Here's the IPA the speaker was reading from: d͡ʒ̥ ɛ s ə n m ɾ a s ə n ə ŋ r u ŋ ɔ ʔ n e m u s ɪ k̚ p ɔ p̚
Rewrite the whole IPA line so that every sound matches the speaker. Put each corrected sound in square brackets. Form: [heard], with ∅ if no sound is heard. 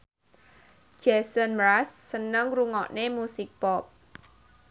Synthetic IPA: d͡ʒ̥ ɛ s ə n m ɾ a [sː] ə n ə ŋ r u ŋ ɔ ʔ n e m u s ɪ k̚ p ɔ p̚